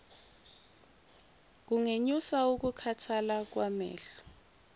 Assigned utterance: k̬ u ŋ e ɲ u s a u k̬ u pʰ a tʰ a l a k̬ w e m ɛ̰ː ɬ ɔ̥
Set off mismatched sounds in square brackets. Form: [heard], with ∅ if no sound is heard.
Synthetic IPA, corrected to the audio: k̬ u ŋ e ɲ u s a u k̬ u [kʰ] a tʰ a l a k̬ w [a] m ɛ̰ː ɬ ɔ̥